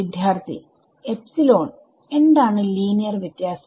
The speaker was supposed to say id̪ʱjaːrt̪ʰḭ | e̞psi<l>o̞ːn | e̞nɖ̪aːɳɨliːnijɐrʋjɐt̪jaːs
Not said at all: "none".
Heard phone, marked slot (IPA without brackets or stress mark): l